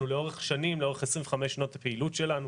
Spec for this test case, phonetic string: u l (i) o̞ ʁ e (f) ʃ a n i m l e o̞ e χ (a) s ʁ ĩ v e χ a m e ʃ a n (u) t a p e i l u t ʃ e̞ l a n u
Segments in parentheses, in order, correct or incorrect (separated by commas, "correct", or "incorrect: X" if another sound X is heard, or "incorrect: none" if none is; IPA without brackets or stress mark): incorrect: e, incorrect: χ, incorrect: e, incorrect: o